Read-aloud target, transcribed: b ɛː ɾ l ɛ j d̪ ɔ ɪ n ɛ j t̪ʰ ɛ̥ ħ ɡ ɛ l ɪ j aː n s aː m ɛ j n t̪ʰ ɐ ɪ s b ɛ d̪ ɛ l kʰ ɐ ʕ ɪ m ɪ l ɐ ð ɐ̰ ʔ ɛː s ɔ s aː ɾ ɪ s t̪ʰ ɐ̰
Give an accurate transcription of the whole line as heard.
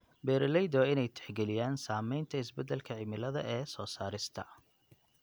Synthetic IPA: b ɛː ɾ l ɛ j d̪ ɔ ɪ n ɛ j t̪ʰ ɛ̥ ħ ɡ ɛ l ɪ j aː n s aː m ɛ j n t̪ʰ ɐ ɪ s b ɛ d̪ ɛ l kʰ ɐ ʕ ɪ m ɪ l ɐ ð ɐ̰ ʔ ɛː s ɔː s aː ɾ ɪ s t̪ʰ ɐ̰